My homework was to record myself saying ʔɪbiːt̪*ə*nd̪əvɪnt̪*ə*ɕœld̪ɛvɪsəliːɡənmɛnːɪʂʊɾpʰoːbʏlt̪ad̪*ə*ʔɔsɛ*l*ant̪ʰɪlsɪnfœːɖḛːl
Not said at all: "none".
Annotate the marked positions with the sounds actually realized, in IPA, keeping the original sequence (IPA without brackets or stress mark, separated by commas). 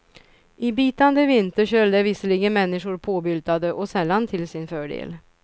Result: a, ə, ə, lː